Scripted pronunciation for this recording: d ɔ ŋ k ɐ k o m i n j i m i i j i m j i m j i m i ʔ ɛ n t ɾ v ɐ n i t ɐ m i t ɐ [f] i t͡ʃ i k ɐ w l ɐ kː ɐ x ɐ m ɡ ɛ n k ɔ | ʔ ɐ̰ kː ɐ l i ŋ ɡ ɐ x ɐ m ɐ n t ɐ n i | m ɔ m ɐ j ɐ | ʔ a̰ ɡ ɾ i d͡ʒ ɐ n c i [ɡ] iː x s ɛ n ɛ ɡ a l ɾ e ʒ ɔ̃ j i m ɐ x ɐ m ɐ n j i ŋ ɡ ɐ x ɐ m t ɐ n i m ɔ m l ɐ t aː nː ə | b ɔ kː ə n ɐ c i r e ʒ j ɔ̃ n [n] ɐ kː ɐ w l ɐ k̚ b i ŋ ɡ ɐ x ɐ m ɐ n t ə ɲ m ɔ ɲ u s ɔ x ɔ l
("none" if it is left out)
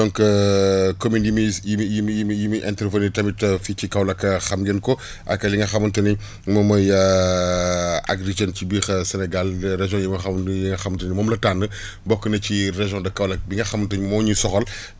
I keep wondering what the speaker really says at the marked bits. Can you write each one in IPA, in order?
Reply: f, b, d

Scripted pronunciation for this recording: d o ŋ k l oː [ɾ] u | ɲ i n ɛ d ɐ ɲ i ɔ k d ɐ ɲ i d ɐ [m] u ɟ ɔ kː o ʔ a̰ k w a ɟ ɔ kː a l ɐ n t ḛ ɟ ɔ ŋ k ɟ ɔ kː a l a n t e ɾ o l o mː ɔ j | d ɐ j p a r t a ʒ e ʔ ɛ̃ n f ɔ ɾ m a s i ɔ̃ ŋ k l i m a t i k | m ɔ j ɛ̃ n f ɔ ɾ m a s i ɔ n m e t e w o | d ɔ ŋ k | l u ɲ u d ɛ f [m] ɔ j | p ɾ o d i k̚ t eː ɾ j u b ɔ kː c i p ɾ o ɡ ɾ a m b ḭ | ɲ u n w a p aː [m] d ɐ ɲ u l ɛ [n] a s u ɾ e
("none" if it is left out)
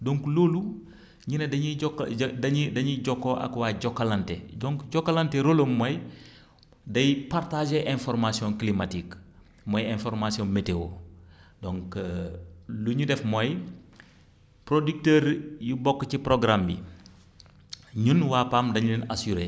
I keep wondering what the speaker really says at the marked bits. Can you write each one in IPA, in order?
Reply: l, ɲ, m, m, n

